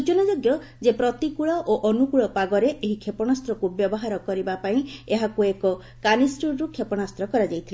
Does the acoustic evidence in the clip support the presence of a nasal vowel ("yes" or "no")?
yes